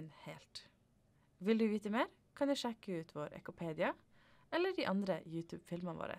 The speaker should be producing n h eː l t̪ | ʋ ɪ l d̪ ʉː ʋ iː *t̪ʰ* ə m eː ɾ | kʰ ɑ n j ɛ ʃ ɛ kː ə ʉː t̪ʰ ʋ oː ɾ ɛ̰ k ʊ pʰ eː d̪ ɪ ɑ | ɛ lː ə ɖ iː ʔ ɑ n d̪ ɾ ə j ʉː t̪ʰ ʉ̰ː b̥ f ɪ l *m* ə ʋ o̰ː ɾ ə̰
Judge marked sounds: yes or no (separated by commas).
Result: no, yes